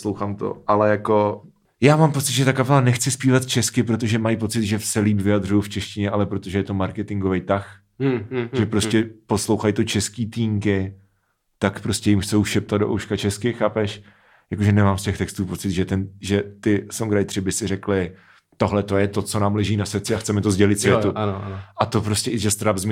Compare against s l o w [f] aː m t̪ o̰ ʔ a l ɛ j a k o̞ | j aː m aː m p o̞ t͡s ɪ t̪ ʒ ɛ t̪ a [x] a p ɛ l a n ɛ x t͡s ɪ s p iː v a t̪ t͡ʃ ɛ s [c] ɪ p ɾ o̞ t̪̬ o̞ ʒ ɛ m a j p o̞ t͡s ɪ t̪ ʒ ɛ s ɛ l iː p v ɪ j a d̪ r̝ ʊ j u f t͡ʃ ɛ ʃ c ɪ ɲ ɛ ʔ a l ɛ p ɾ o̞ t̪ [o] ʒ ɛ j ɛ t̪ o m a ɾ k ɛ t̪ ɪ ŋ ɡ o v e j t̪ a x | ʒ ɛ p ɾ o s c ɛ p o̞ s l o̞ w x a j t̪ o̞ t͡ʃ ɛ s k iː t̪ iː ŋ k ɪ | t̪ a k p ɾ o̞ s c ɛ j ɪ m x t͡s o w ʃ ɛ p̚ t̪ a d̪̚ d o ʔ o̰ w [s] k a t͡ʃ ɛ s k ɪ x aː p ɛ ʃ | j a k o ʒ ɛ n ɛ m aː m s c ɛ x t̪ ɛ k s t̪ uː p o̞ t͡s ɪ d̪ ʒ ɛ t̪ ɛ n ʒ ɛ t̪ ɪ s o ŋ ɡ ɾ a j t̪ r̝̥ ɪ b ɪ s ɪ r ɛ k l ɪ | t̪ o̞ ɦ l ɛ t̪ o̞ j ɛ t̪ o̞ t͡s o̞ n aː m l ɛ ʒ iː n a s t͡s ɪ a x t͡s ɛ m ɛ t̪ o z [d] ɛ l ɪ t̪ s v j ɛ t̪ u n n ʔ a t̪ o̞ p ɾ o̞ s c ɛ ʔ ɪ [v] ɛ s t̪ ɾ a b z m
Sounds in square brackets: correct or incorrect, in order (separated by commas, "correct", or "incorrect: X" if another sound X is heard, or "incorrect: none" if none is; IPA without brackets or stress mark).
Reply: incorrect: x, incorrect: k, incorrect: k, correct, incorrect: ʃ, incorrect: ɟ, incorrect: ʒ